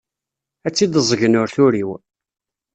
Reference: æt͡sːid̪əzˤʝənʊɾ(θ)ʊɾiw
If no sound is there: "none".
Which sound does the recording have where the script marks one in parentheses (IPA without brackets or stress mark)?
θ